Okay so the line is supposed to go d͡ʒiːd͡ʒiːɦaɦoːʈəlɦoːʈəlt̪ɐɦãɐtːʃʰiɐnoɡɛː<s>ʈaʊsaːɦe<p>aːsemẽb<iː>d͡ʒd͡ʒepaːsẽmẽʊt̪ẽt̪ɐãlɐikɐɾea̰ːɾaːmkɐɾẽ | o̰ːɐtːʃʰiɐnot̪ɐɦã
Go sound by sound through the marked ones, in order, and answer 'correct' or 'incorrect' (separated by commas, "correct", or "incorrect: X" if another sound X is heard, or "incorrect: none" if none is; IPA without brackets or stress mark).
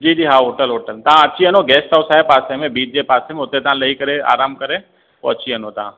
correct, correct, correct